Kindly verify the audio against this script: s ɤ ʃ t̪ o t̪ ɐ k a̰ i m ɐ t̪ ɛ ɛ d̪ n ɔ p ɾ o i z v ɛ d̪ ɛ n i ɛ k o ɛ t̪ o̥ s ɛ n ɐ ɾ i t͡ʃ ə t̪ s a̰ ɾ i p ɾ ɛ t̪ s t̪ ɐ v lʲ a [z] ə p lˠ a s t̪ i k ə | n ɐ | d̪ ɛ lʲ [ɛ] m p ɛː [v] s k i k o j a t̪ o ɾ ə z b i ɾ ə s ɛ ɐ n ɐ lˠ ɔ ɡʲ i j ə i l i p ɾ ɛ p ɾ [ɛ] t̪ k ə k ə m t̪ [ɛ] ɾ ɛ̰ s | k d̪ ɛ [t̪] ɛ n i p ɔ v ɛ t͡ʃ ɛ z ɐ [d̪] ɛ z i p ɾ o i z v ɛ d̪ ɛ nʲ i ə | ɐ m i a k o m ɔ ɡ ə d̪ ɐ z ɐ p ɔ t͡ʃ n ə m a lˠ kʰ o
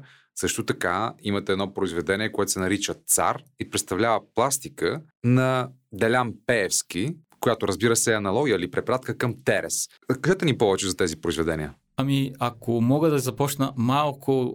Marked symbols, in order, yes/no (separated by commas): no, no, no, no, yes, yes, no